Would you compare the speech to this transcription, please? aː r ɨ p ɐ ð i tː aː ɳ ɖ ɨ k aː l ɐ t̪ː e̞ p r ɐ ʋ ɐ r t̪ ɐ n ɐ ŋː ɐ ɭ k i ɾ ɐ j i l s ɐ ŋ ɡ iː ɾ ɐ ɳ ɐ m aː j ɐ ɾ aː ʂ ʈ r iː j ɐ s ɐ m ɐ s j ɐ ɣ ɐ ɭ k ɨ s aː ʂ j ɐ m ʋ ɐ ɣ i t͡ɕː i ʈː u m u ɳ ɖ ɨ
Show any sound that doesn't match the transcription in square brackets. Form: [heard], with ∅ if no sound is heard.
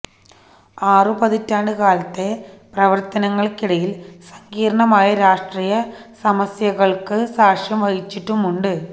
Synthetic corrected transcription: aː r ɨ p ɐ ð i tː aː ɳ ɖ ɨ k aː l ɐ t̪ː e̞ p r ɐ ʋ ɐ r t̪ ɐ n ɐ ŋː ɐ ɭ k i [ɽ] ɐ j i l s ɐ ŋ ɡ iː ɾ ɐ ɳ ɐ m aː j ɐ ɾ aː ʂ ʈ r iː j ɐ s ɐ m ɐ s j ɐ ɣ ɐ ɭ k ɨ s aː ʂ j ɐ m ʋ ɐ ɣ i t͡ɕː i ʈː u m u ɳ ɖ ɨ